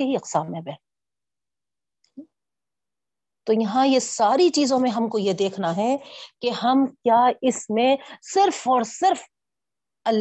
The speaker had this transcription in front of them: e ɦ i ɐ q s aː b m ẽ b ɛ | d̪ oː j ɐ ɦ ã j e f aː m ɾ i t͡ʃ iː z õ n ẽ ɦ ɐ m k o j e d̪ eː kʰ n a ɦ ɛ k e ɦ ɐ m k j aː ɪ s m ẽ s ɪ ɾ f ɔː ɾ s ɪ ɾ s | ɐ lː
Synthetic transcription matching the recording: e ɦ i ɐ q s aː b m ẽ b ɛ | t̪ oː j ɐ ɦ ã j e s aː ɾ i t͡ʃ iː z õ m ẽ ɦ ɐ m k o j e d̪ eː kʰ n a ɦ ɛ k e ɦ ɐ m k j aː ɪ s m ẽ s ɪ ɾ f ɔː ɾ s ɪ ɾ f | ɐ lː